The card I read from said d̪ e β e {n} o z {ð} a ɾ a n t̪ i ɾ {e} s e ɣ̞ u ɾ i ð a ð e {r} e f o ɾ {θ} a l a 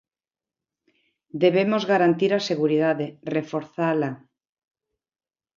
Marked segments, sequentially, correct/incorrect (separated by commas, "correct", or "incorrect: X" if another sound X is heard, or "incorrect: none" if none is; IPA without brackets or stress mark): incorrect: m, incorrect: ɣ, incorrect: a, correct, correct